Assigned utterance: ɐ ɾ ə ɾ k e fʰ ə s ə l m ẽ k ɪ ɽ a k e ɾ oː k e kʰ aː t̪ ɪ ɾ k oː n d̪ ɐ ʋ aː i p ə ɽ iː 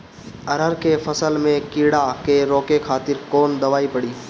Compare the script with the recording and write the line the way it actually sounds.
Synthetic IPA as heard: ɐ ɾ ə ɾ k e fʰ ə s ə l m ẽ k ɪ ɽ a k e ɾ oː k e kʰ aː t̪ ɪ ɾ k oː n d̪ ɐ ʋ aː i p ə ɽ iː